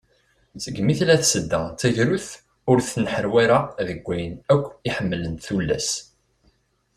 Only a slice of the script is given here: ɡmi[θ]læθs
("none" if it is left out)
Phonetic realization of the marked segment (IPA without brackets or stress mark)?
θ